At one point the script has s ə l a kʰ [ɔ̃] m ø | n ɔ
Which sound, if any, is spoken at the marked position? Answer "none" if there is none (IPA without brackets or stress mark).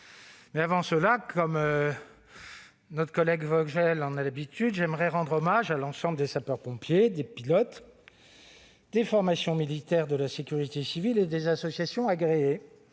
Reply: ɔ